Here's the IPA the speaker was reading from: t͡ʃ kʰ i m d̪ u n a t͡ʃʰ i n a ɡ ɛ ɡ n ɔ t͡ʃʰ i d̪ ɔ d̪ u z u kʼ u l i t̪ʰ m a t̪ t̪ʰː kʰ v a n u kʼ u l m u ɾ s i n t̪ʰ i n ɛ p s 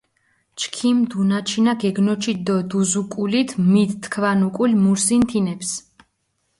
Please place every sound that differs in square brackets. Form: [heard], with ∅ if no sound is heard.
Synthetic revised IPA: t͡ʃ kʰ i m d̪ u n a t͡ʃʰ i n a ɡ ɛ ɡ n ɔ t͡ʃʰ i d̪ ɔ d̪ u z u kʼ u l i t̪ʰ m [i] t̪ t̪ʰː kʰ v a n u kʼ u l m u ɾ s i n t̪ʰ i n ɛ p s